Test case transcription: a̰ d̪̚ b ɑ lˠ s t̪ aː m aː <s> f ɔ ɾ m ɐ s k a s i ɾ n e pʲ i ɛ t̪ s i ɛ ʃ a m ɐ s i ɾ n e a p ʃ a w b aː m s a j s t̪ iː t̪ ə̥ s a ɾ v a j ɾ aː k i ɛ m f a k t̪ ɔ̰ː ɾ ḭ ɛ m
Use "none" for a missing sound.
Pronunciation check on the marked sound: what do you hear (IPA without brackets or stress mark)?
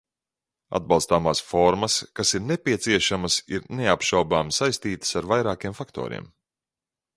s